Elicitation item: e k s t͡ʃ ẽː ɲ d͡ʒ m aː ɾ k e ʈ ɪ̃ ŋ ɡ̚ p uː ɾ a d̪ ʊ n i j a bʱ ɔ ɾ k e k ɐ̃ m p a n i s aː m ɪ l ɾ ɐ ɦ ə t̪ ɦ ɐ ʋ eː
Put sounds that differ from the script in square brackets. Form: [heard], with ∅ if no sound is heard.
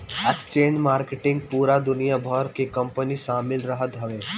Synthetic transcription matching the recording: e k s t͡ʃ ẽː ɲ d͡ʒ m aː ɾ k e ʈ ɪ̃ ŋ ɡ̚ p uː ɾ a d̪ ʊ n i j a bʱ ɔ ɾ k e k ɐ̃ m p [ə] n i [ʃ] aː m ɪ l ɾ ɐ ɦ ə t̪ ɦ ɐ ʋ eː